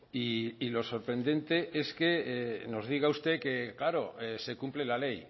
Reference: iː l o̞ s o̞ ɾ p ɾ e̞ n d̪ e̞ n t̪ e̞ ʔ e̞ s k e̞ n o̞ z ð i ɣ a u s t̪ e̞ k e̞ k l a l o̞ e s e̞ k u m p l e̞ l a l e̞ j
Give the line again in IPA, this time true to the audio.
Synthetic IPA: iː l o̞ s o̞ ɾ p ɾ e̞ n d̪ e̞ n t̪ e̞ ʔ e̞ s k e̞ n o̞ z ð i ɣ a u s t̪ e̞ k e̞ k l a ɾ o̞ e s e̞ k u m p l e̞ l a l e̞ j